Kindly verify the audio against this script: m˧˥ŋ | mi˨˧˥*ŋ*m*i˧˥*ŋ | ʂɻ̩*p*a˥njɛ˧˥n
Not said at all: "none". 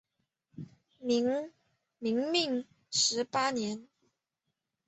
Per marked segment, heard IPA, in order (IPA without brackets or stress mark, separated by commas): ŋ, i˥˩, p